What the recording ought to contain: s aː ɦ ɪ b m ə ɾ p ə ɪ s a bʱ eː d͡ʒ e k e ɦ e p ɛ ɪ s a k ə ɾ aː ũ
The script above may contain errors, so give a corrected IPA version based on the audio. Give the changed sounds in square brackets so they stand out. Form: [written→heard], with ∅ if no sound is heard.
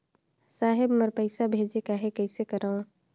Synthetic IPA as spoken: s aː ɦ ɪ b m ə ɾ p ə ɪ s a bʱ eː d͡ʒ e k [e→a] ɦ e [p→k] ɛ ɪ s [a→e] k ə ɾ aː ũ